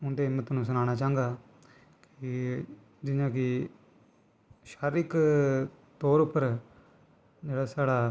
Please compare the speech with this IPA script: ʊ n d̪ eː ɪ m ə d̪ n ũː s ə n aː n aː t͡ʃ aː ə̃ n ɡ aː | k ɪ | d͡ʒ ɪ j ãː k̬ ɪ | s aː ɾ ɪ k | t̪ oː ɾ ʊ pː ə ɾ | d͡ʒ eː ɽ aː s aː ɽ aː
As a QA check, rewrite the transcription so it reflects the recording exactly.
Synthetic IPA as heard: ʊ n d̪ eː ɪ m ə t̪ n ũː s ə n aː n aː t͡ʃ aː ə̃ ŋ ɡ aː | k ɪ | d͡ʒ ɪ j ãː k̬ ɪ | ʃ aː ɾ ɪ k | t̪ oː ɾ ʊ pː ə ɾ | d͡ʒ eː ɽ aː s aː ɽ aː